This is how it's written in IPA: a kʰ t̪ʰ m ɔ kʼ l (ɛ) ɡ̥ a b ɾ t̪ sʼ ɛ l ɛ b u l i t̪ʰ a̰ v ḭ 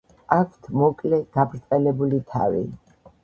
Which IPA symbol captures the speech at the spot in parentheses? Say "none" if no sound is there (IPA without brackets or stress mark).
ɛ